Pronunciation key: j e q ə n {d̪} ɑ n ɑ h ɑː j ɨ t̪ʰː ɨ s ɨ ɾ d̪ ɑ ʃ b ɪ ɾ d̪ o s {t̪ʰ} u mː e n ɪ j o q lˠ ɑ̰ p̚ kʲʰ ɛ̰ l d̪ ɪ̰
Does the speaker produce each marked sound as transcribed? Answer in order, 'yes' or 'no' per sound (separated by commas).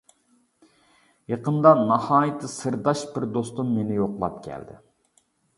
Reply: yes, no